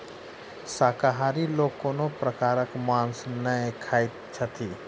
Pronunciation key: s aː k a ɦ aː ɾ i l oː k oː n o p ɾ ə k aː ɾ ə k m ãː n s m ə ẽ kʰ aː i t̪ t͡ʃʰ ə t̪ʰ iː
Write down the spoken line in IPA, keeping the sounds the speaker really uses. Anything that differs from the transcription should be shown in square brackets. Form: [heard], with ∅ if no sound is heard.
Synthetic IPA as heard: s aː k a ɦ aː ɾ i l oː k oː n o p ɾ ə k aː ɾ ə k m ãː n s [n] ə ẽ kʰ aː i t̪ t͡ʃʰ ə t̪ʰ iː